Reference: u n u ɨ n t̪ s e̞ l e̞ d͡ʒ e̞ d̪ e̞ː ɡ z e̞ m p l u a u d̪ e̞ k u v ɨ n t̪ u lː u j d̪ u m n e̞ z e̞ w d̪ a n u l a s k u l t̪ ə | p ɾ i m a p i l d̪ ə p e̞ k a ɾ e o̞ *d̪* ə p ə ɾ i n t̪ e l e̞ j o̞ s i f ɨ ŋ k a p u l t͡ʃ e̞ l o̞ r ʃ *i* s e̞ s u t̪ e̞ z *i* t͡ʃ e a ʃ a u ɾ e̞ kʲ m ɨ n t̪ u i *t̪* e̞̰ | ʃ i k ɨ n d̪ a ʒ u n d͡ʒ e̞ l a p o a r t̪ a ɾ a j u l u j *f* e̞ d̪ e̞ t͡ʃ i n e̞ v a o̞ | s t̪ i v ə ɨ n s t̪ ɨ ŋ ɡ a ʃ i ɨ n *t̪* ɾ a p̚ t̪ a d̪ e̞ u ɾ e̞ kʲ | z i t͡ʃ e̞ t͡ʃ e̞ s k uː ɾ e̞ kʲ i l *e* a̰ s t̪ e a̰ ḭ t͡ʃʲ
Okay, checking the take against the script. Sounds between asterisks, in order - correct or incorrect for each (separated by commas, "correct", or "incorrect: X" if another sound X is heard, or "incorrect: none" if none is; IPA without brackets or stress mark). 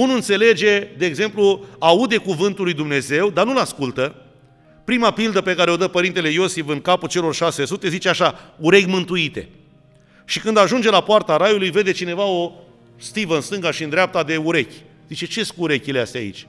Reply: correct, incorrect: a, correct, correct, incorrect: v, incorrect: d̪, correct